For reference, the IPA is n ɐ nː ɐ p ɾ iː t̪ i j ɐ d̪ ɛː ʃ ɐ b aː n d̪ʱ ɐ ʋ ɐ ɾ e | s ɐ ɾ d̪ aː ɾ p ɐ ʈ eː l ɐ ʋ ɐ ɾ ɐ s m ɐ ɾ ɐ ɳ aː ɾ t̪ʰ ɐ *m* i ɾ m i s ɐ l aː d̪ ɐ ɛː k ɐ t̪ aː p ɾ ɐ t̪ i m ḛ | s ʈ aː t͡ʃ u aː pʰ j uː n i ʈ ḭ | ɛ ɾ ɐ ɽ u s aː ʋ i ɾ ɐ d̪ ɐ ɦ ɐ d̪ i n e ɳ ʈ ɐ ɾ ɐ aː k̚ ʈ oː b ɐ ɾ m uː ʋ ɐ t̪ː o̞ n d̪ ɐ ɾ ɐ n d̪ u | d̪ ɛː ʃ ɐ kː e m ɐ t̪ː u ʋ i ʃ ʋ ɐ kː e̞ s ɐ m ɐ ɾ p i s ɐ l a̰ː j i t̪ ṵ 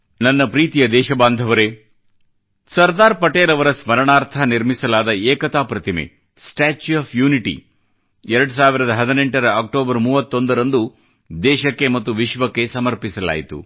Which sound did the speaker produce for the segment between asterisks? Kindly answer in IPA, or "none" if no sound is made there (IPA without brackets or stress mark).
n